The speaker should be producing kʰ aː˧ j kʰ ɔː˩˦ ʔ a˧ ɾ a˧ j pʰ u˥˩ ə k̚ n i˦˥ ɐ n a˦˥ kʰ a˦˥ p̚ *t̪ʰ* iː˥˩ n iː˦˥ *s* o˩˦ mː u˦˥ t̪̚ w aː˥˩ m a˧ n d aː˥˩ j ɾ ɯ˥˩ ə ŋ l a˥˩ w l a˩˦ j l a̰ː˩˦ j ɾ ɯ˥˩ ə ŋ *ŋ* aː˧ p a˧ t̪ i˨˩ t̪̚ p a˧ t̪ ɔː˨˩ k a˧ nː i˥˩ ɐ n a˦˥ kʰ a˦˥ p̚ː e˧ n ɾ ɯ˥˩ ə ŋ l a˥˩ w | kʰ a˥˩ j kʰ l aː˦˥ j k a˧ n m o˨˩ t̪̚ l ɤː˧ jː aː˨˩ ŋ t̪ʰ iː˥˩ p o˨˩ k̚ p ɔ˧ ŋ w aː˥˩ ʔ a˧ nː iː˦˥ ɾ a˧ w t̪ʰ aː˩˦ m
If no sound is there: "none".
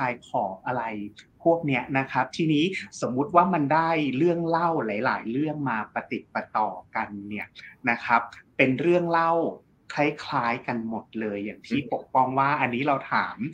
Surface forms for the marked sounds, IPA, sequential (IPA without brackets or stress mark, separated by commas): t̪ʰ, s, m